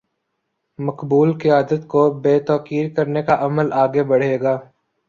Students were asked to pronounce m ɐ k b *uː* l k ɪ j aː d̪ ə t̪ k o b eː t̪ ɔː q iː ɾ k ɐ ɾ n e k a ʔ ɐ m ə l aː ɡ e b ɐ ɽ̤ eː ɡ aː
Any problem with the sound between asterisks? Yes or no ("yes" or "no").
no